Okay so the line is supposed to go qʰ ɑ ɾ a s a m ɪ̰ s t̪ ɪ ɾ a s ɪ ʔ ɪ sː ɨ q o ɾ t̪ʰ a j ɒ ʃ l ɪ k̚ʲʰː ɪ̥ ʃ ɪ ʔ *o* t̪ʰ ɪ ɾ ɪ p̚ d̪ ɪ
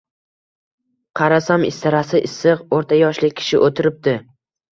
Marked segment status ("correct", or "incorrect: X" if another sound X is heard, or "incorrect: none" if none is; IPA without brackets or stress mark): correct